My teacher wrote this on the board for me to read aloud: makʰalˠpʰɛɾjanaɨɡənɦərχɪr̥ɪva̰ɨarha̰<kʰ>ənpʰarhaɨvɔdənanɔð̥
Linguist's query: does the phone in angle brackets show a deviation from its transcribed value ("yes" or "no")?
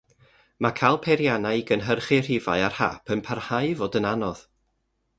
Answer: yes